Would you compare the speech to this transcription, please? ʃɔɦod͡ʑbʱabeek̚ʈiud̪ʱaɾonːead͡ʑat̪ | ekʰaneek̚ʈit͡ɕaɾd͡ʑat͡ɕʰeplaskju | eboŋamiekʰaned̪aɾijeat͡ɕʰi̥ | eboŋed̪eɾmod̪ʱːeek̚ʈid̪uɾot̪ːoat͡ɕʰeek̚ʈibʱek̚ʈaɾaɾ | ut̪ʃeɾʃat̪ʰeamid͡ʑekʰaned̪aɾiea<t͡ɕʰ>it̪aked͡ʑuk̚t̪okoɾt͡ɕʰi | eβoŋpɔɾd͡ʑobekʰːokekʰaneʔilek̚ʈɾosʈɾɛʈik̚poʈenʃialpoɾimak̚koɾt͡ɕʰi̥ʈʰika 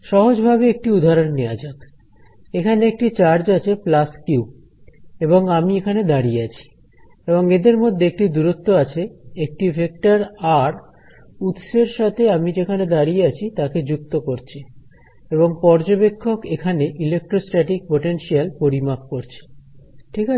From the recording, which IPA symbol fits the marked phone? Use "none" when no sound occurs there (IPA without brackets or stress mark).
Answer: t͡ɕʰ